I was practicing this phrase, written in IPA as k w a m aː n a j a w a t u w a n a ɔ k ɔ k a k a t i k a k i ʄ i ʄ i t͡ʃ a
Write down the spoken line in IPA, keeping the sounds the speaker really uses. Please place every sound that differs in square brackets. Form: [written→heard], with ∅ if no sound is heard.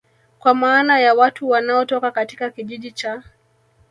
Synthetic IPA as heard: k w a m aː n a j a w a t u w a n a ɔ [k→t] ɔ k a k a t i k a k i ʄ i ʄ i t͡ʃ a